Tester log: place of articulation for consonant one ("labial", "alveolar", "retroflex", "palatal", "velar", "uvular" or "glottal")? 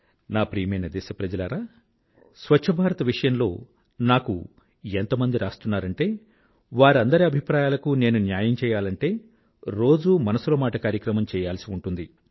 alveolar